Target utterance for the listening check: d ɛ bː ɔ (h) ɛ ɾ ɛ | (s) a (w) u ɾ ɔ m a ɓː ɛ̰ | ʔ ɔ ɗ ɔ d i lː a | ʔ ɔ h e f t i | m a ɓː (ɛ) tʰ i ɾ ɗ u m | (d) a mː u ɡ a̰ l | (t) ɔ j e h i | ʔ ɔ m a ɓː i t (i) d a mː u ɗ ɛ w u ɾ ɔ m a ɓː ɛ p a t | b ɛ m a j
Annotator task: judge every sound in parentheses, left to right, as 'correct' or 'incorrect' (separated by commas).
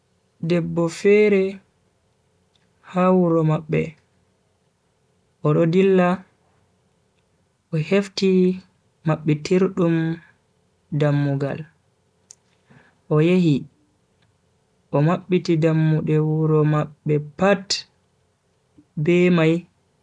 incorrect, incorrect, correct, correct, correct, incorrect, correct